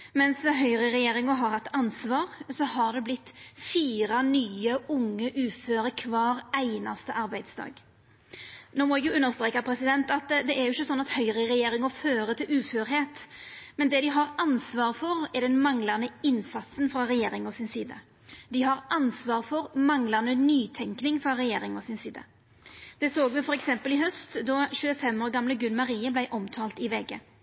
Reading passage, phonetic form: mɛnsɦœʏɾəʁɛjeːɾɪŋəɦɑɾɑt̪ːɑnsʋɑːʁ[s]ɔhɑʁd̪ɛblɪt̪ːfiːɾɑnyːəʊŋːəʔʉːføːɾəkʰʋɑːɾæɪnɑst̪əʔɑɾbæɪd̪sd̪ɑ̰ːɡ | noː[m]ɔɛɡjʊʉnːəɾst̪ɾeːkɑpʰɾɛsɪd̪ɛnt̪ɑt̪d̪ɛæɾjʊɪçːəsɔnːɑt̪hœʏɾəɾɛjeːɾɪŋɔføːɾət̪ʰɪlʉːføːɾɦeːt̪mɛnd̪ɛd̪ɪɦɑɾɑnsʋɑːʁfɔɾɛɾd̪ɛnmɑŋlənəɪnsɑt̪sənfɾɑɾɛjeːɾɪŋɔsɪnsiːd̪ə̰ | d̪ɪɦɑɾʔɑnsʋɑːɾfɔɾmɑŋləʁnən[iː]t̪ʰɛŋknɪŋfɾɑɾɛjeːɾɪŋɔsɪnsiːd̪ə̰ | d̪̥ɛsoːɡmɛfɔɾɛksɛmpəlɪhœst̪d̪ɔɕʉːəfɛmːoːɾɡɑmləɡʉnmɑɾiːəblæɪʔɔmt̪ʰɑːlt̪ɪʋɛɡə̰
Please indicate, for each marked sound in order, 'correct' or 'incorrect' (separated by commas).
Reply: correct, correct, incorrect